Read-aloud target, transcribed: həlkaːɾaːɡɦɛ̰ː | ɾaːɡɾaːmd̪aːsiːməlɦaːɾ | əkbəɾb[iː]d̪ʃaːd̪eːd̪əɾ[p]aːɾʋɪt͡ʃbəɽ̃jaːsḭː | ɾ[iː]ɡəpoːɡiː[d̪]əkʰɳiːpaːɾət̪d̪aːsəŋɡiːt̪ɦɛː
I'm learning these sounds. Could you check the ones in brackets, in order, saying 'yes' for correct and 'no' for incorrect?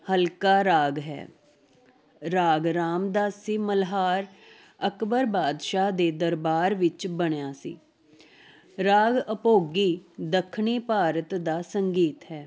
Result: no, no, no, yes

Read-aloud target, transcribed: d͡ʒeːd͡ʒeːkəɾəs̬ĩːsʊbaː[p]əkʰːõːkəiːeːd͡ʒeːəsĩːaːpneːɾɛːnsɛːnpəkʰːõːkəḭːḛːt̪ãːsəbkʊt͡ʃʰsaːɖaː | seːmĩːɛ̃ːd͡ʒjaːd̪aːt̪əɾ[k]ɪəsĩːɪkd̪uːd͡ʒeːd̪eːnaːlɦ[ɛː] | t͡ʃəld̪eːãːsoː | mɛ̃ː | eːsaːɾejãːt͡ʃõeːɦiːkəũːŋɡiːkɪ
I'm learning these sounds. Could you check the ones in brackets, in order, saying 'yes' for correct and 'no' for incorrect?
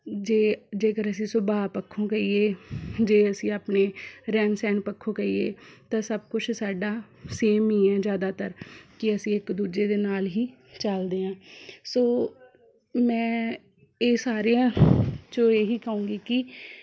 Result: yes, yes, no

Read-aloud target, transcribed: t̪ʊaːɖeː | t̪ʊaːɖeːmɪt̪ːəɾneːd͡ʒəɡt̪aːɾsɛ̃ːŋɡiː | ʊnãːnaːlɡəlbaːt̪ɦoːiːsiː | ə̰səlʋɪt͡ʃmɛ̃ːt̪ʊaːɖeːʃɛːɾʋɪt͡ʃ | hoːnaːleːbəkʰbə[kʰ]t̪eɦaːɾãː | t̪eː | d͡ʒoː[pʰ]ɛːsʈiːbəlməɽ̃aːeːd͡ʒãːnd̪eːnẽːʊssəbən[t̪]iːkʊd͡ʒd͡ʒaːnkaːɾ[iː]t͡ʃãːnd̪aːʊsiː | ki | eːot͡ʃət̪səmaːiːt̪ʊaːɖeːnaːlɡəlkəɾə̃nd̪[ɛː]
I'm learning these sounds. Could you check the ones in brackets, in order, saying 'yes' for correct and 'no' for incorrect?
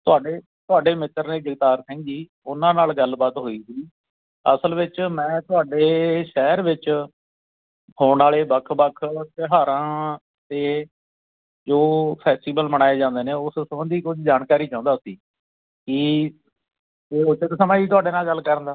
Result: yes, yes, no, yes, no

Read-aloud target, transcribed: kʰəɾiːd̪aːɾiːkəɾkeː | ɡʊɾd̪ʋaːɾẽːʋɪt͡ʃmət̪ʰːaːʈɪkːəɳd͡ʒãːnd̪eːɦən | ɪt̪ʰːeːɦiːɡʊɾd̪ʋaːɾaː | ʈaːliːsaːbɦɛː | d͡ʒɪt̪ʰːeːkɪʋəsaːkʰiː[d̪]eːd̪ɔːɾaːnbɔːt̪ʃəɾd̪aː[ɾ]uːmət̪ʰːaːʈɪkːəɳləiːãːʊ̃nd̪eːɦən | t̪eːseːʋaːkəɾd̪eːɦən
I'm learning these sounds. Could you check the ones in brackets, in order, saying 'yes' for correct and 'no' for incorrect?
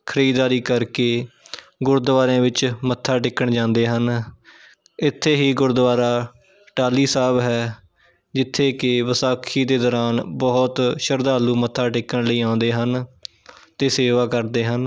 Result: yes, no

